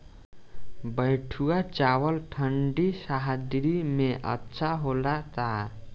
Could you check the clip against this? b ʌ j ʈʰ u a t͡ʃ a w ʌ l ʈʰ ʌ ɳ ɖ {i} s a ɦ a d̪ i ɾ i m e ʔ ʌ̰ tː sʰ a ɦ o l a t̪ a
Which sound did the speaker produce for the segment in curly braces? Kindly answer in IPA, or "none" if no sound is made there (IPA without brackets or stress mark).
i